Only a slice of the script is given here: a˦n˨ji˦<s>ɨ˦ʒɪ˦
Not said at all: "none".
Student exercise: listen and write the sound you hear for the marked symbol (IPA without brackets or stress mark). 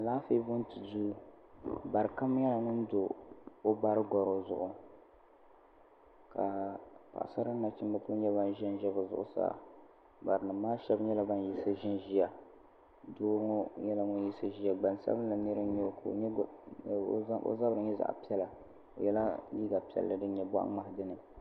s